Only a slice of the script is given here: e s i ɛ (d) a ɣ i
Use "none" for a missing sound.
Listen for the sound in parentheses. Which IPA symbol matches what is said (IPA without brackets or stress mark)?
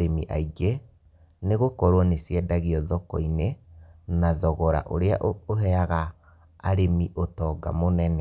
d